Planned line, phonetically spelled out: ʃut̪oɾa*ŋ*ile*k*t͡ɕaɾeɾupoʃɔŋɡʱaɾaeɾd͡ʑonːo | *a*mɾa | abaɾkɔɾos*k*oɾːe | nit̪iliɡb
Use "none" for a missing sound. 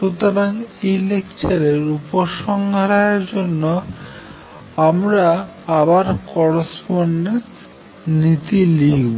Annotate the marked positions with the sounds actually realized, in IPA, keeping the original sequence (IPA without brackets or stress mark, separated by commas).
ŋ, k, a, p